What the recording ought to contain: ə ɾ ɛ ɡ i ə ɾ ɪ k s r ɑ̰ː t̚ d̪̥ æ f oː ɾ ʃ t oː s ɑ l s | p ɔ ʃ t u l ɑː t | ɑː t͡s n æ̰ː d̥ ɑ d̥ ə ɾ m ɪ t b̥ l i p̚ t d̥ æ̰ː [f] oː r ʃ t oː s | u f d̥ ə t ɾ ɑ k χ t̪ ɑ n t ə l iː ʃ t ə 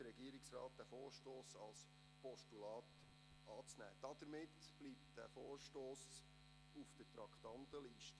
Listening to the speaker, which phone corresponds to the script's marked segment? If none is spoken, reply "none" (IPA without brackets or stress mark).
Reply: f